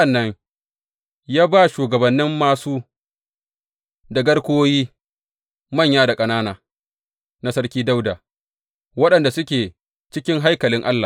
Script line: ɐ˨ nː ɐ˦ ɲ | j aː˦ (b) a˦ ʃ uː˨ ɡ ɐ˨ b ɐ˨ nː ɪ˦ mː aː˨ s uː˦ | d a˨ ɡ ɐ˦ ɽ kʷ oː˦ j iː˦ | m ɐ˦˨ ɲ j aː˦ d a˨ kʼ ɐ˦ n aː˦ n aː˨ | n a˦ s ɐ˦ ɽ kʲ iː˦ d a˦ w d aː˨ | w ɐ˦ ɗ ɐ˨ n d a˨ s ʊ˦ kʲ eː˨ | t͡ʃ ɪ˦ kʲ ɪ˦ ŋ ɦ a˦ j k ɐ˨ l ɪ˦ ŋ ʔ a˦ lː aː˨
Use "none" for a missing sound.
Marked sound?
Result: b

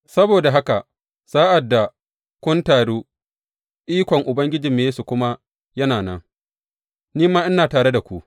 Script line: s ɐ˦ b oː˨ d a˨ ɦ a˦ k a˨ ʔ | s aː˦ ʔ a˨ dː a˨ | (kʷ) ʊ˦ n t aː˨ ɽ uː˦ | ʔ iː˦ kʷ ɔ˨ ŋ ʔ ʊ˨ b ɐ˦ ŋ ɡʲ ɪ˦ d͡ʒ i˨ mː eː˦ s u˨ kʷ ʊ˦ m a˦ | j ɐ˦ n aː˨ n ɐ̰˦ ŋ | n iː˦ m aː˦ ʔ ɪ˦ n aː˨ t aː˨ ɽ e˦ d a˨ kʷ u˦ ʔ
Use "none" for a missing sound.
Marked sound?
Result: kʷ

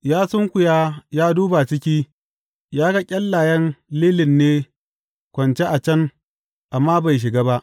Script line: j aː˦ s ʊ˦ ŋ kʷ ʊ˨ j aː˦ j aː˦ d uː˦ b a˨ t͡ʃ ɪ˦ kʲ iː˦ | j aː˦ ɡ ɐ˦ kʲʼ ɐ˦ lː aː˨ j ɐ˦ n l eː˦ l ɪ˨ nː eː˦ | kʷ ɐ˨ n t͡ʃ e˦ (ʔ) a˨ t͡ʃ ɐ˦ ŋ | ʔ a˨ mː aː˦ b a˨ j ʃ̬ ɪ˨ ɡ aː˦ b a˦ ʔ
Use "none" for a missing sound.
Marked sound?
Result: ʔ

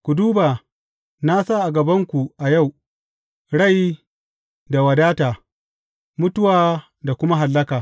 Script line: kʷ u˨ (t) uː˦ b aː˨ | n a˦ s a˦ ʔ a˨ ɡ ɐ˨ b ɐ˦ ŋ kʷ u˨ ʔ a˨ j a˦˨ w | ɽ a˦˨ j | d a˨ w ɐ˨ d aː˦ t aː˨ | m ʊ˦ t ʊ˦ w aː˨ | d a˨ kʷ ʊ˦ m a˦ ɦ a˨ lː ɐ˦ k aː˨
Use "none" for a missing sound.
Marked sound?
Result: d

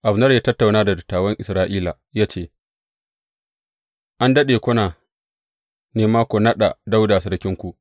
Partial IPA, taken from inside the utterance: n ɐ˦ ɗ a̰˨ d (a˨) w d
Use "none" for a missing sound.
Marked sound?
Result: a˦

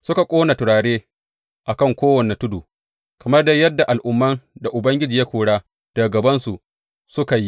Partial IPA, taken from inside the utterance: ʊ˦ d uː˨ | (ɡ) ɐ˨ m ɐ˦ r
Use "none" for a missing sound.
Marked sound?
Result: k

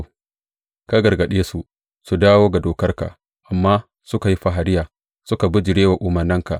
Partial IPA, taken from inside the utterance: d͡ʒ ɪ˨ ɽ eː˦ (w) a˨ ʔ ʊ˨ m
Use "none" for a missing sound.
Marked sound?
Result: w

